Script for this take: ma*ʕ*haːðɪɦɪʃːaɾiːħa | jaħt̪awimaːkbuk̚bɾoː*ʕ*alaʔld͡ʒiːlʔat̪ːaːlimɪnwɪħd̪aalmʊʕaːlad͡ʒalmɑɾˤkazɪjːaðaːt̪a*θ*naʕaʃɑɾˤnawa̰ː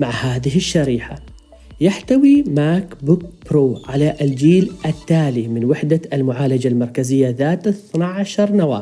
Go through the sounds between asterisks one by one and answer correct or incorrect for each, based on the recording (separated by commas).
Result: correct, correct, correct